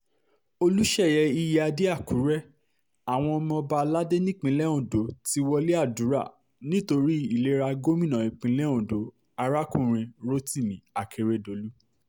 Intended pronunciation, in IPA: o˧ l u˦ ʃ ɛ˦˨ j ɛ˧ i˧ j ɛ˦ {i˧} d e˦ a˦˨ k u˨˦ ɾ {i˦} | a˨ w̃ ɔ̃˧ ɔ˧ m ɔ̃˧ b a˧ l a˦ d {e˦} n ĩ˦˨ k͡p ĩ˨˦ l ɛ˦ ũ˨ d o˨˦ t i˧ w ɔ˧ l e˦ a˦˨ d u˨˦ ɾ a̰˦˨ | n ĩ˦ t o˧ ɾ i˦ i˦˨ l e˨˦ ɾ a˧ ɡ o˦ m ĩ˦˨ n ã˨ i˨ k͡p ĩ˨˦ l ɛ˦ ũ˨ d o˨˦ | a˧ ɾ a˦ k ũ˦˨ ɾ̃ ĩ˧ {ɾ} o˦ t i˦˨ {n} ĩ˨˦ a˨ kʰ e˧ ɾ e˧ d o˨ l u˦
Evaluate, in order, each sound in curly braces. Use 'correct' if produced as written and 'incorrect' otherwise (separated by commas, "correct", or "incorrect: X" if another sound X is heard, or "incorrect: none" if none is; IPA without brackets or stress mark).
incorrect: a˧, incorrect: ɛ˦, correct, correct, incorrect: m